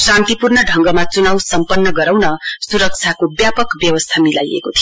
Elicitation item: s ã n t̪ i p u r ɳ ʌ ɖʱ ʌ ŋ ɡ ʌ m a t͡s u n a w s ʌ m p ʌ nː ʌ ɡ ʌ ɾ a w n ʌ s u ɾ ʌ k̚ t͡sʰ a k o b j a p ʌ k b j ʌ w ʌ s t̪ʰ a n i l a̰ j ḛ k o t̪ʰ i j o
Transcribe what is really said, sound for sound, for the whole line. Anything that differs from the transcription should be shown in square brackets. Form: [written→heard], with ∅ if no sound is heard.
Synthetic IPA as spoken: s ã n t̪ i p u r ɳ ʌ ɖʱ ʌ ŋ ɡ ʌ m a t͡s u n a w s ʌ m p ʌ nː ʌ ɡ ʌ ɾ a w n ʌ s u ɾ ʌ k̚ t͡sʰ a k o b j a p ʌ k b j ʌ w ʌ s t̪ʰ a [n→m] i l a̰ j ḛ k o t̪ʰ i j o